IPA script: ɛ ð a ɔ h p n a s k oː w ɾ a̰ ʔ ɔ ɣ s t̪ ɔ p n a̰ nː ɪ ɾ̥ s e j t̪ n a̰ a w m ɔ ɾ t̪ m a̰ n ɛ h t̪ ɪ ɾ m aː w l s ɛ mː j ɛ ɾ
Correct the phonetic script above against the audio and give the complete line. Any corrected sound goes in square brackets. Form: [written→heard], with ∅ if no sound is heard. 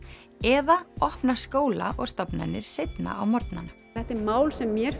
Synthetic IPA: ɛ ð a ɔ h p n a s k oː w [ɾ→l] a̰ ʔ ɔ ɣ s t̪ ɔ p n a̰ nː ɪ ɾ̥ s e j t̪ n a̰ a w m ɔ ɾ t̪ [m→n] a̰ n ɛ h t̪ ɪ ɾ m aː w l s ɛ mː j ɛ ɾ